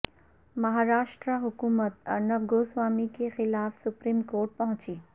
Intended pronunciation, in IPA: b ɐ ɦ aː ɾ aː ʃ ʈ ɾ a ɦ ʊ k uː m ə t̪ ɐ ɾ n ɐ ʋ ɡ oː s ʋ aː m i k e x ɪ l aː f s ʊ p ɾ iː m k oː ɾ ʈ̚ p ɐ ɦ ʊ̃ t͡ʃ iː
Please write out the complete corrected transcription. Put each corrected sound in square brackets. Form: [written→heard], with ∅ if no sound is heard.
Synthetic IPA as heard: [b→m] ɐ ɦ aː ɾ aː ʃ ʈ ɾ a ɦ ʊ k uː m ə t̪ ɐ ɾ n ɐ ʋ ɡ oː s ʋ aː m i k e x ɪ l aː f s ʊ p ɾ iː m k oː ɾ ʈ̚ p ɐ ɦ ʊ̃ t͡ʃ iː